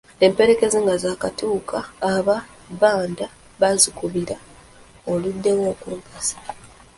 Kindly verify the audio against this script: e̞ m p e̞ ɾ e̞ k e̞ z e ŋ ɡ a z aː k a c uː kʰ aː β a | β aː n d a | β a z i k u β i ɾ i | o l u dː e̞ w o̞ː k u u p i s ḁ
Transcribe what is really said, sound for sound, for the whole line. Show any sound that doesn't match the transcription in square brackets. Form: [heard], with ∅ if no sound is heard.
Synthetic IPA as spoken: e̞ m p e̞ ɾ e̞ k e̞ z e ŋ ɡ a z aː k a [t] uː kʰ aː β a | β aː n d a | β a z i k u β i ɾ [a] | o l u dː e̞ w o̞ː k u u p [a] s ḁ